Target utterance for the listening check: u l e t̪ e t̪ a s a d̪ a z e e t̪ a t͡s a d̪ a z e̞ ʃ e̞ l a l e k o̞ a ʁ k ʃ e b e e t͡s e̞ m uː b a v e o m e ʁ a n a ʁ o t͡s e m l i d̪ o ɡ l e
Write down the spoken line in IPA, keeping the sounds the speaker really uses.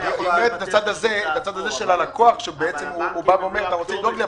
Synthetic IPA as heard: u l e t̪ e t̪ a t͡s a d̪ a z e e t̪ a t͡s a d̪ a z e̞ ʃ e̞ l a l a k o̞ a χ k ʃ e b e e t͡s e̞ m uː b a v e o m e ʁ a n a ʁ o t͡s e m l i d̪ o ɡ l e